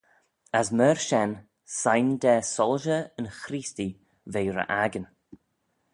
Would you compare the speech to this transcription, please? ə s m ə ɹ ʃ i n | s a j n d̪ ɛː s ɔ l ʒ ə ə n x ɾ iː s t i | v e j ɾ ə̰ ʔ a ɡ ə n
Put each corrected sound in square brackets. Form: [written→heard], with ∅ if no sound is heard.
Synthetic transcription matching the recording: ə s m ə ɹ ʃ [i→ɛ] n | s a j n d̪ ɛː s ɔ l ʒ ə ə n x ɾ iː s t i | v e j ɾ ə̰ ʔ a ɡ ə n